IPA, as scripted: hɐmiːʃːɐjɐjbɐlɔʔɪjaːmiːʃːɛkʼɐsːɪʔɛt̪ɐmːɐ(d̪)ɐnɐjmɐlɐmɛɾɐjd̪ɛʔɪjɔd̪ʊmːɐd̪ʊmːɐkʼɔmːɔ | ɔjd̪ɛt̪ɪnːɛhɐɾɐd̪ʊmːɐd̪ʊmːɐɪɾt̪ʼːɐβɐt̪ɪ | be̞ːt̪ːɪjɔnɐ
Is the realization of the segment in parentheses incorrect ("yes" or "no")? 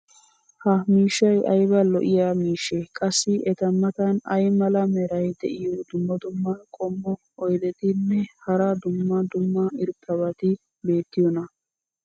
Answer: yes